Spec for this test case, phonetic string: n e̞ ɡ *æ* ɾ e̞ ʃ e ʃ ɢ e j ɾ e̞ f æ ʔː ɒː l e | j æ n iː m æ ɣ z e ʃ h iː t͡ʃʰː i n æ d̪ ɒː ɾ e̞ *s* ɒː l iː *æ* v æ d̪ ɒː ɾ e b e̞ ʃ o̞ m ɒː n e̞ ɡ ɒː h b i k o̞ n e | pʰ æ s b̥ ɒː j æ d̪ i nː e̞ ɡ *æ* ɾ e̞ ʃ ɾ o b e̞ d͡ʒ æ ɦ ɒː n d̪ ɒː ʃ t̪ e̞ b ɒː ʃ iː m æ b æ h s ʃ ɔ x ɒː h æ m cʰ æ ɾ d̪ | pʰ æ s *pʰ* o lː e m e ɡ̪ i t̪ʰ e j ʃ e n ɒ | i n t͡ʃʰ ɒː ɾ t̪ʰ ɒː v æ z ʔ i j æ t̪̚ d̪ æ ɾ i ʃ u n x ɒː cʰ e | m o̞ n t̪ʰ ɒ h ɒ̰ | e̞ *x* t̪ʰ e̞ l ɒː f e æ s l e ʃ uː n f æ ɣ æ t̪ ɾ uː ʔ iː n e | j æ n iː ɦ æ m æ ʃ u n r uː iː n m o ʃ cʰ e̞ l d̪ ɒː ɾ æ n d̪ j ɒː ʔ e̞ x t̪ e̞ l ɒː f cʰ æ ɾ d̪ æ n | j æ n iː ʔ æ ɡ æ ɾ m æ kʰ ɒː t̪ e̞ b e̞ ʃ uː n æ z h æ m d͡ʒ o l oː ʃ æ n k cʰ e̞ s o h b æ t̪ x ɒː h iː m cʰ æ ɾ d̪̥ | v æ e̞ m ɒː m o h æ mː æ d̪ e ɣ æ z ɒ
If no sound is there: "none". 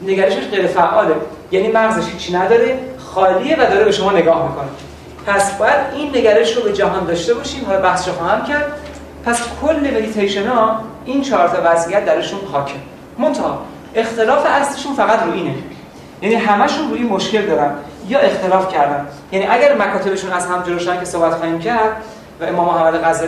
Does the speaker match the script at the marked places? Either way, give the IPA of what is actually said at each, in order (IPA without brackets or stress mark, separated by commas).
æ, x, e, æ, kʰ, x